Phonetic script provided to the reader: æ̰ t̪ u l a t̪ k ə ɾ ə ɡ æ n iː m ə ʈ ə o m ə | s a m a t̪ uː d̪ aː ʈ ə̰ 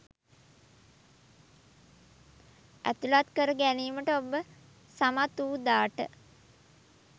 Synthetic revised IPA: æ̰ t̪ u l a t̪ k ə ɾ ə ɡ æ n iː m ə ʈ ə o b ə | s a m a t̪ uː d̪ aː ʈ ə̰

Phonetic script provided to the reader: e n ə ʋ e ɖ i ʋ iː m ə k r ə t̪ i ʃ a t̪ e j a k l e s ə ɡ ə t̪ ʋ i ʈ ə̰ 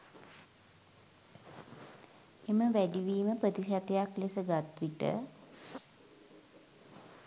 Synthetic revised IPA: e m ə ʋ æ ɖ i ʋ iː m ə p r ə t̪ i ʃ a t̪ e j a k l e s ə ɡ a t̪ ʋ i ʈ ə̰

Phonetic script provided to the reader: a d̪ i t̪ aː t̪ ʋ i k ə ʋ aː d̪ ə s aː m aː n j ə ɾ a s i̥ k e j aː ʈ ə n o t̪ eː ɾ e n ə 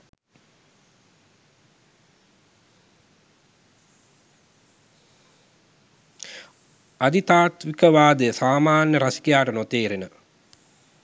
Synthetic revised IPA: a d̪ i t̪ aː t̪ ʋ i k ə ʋ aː d̪ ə s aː m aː n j ə ɾ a s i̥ k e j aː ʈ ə n o t̪ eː ɾ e n ə

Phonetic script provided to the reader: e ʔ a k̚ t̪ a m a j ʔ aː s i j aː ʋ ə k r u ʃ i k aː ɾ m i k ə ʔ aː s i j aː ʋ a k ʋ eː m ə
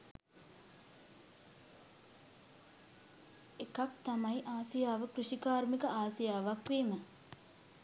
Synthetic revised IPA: e k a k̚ t̪ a m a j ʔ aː s i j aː ʋ ə k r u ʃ i k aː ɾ m i k ə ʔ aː s i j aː ʋ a k ʋ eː m ə

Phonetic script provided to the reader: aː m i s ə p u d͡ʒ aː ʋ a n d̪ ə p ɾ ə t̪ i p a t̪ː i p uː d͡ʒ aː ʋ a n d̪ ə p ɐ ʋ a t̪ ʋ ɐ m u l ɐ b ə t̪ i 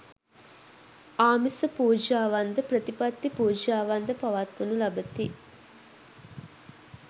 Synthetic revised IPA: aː m i s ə p uː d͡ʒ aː ʋ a n d̪ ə p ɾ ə t̪ i p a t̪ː i p uː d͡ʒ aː ʋ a n d̪ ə p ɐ ʋ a t̪ ʋ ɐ n u l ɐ b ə t̪ i

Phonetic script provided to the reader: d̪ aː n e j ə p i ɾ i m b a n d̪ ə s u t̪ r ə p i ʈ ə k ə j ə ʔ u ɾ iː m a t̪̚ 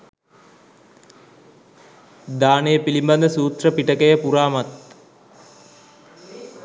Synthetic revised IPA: d̪ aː n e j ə p i l i m b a n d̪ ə s uː t̪ r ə p i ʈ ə k ə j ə p u ɾ aː m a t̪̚

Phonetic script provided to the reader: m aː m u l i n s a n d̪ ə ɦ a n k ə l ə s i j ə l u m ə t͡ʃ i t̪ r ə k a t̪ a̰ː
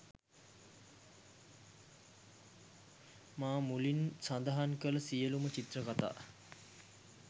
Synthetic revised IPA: m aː m u l i n s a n d̪ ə ɦ a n k ə l ə s i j ə l u m ə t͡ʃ i t̪ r ə k a t̪ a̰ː

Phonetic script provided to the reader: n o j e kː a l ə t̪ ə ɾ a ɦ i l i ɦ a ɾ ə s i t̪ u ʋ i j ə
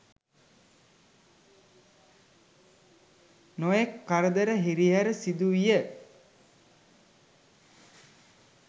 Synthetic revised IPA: n o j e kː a ɾ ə d̪ ə ɾ ə ɦ i ɾ i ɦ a ɾ ə s i d̪ u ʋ i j ə

